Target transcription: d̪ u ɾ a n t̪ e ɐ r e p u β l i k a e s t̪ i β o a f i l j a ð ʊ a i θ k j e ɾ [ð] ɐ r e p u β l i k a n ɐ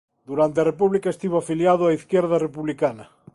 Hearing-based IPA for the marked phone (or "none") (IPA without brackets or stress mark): ð